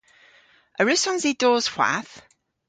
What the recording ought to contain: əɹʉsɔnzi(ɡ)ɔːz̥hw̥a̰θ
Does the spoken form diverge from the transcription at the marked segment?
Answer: yes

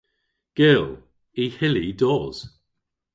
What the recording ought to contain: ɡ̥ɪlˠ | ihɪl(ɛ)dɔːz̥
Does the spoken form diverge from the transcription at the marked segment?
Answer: yes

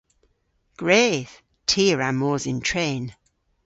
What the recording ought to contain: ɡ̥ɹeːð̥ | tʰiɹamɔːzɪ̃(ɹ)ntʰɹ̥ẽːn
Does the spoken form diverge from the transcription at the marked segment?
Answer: yes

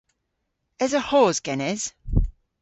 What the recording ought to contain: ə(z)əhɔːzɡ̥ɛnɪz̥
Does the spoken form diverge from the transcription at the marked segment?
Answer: no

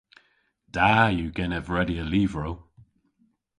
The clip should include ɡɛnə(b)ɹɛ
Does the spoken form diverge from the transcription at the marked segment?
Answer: yes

